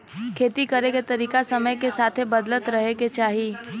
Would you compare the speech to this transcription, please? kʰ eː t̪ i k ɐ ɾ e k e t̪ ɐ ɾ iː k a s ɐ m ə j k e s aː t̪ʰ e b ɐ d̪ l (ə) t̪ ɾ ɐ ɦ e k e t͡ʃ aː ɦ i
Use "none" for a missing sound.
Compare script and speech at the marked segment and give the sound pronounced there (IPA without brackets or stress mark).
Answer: ə